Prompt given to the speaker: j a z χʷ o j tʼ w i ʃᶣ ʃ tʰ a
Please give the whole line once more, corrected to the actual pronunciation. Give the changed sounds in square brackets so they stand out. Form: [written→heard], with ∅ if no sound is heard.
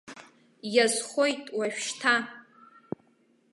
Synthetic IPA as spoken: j a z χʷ o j tʼ w [i→a] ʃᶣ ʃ tʰ a